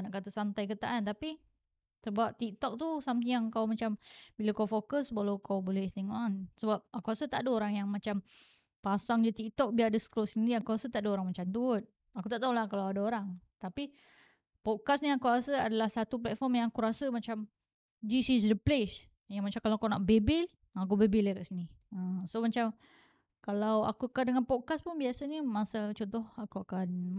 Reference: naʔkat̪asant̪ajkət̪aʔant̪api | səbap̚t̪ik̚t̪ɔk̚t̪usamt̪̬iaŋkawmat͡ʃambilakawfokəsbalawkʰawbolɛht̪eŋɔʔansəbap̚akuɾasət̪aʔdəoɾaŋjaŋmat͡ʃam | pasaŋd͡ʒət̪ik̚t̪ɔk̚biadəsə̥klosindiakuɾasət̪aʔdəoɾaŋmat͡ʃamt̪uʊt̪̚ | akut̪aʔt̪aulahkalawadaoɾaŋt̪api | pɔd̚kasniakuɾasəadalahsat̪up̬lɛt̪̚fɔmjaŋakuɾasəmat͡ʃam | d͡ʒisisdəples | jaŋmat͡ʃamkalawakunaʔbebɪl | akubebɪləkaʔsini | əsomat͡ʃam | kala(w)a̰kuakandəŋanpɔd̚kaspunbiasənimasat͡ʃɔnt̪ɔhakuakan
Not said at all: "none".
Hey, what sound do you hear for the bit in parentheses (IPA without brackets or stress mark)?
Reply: w